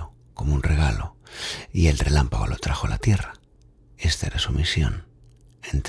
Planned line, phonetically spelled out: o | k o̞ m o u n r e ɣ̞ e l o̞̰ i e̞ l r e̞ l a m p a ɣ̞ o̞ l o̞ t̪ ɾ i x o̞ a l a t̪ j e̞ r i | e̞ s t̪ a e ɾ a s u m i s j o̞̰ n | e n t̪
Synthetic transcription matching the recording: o | k o̞ m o u n r e ɣ̞ a l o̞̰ i e̞ l r e̞ l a m p a ɣ̞ o̞ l o̞ t̪ ɾ a x o̞ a l a t̪ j e̞ r a | e̞ s t̪ a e ɾ a s u m i s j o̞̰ n | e n t̪